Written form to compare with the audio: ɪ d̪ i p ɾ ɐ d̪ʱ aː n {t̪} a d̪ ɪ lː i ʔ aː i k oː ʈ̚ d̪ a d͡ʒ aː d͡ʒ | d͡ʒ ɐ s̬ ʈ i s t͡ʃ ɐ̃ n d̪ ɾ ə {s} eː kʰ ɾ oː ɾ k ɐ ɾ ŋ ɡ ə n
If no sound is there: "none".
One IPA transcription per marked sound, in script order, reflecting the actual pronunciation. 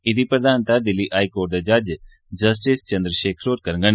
t̪, ʃ

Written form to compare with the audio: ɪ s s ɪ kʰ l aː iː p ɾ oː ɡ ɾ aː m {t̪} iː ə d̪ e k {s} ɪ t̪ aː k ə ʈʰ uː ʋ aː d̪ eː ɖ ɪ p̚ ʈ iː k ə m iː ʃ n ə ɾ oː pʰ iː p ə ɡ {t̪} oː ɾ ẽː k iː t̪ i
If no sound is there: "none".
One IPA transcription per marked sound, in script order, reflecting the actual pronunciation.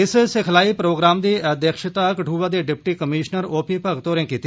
d̪, ʃ, t̪

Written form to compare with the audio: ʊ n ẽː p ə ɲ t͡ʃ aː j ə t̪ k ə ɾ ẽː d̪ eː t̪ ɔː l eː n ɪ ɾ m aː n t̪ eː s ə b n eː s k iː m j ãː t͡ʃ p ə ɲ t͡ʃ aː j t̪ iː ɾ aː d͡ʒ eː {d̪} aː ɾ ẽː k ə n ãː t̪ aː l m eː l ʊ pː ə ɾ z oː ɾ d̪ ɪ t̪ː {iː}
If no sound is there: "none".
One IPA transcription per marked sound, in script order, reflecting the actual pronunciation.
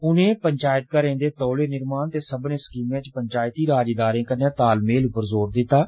d̪, aː

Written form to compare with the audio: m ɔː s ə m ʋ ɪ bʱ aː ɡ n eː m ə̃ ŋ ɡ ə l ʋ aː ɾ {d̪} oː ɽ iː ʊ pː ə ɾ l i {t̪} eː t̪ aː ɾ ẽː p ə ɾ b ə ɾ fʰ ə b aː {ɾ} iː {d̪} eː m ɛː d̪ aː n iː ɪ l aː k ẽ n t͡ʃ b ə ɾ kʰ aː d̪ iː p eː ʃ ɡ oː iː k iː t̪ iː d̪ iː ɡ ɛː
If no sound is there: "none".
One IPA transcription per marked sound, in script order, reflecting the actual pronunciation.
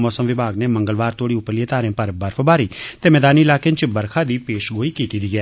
t̪, none, ɾ, t̪

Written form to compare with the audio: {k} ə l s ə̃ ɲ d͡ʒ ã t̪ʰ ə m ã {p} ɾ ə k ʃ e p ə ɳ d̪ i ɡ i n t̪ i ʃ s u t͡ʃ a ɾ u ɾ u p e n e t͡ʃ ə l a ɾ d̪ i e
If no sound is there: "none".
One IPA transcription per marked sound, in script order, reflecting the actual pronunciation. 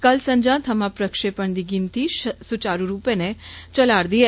k, p

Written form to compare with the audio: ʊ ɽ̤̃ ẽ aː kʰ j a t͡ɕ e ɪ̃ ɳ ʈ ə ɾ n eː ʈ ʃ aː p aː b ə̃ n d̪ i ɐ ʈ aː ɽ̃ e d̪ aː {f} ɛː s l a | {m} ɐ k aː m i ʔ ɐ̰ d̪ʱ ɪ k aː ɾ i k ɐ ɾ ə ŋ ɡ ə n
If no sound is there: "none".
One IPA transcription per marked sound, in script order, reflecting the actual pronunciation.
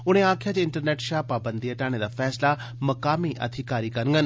f, m

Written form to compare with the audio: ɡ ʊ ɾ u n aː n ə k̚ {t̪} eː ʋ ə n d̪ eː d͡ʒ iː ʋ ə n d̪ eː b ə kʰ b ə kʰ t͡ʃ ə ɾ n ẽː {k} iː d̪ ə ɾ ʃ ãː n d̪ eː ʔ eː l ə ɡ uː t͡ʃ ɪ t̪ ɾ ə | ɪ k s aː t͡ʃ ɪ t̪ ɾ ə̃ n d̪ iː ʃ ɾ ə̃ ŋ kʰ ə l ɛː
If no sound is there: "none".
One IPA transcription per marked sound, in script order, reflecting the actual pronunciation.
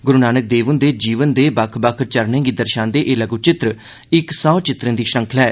d̪, ɡ

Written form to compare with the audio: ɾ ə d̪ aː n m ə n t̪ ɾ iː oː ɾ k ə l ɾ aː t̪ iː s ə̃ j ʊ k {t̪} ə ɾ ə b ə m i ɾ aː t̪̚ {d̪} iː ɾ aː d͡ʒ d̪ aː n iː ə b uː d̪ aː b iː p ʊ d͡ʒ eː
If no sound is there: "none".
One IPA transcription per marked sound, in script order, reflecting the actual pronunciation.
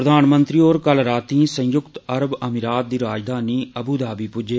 t̪, d̪

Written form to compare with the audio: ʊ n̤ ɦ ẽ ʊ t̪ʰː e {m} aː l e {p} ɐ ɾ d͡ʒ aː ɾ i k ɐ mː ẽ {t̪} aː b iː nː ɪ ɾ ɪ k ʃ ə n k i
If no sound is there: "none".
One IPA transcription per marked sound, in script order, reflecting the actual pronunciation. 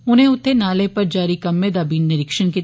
n, p, d̪

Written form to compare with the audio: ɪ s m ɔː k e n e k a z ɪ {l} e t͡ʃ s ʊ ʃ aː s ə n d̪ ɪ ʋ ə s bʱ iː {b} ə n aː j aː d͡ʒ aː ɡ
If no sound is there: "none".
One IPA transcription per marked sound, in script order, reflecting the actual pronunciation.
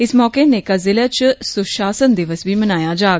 l, m

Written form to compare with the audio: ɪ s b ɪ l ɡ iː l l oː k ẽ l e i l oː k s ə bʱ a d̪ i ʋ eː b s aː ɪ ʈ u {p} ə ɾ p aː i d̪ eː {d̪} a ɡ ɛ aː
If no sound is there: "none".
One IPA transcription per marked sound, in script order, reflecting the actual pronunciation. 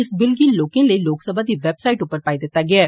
p, t̪

